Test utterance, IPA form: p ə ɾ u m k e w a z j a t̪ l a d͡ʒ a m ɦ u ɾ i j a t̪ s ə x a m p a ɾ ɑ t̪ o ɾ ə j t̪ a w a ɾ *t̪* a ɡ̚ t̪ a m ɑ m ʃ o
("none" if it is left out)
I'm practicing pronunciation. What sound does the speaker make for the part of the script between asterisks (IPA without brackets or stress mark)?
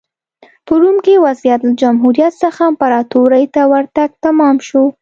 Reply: t̪